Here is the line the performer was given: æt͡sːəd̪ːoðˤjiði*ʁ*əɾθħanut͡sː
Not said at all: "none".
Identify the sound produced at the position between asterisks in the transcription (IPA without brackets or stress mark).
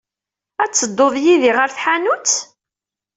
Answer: ʁ